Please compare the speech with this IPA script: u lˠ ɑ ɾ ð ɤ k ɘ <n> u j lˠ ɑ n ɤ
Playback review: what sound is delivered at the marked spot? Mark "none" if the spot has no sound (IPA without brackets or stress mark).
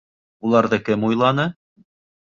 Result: m